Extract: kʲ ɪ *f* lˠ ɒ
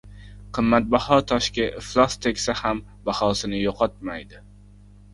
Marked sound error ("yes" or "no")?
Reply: no